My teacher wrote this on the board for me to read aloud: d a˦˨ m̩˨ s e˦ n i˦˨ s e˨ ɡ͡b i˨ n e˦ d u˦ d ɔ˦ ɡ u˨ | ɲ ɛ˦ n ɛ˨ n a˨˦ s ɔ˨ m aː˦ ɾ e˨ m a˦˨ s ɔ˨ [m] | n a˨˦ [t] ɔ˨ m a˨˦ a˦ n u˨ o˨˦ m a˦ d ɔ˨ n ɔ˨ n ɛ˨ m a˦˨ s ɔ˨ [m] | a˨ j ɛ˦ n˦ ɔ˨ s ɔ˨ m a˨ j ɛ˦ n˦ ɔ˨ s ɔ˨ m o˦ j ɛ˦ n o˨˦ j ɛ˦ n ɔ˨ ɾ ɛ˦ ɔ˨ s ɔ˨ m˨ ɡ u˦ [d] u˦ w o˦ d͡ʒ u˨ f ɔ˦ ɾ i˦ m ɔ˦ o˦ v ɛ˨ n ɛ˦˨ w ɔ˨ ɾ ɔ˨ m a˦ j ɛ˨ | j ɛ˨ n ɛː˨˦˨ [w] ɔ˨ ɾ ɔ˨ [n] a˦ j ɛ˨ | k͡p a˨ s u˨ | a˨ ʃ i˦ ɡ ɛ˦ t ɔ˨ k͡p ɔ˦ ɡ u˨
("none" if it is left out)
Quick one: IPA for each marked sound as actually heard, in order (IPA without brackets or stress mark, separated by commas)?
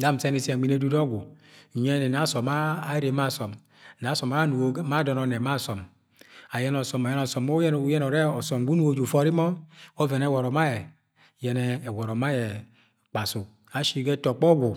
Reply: m, s, m, n, w, m